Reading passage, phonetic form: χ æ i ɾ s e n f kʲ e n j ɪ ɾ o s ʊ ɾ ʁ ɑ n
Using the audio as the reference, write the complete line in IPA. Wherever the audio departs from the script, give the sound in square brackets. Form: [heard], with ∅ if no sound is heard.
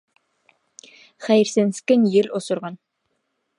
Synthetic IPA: χ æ [j] ɾ s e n [s] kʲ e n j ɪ [l] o s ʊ ɾ ʁ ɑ n